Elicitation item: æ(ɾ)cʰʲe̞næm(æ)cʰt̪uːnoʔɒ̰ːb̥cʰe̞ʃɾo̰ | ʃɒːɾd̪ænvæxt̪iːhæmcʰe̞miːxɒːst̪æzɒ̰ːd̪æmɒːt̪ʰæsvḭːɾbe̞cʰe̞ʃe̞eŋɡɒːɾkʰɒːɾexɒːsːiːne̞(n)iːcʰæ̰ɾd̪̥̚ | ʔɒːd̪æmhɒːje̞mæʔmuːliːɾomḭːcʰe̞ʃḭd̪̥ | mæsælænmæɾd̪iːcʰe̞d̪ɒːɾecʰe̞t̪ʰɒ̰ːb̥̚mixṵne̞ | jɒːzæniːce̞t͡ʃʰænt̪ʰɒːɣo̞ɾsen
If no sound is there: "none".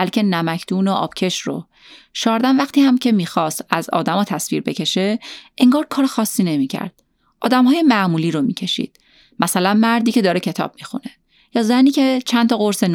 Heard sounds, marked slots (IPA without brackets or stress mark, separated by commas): l, æ, m